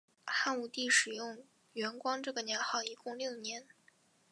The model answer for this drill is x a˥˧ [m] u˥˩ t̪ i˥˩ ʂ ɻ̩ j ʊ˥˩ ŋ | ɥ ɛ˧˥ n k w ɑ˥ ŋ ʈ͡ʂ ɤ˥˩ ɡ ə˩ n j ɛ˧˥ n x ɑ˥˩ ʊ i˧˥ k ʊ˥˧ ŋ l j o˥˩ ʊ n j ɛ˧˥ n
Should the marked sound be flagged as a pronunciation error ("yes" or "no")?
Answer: yes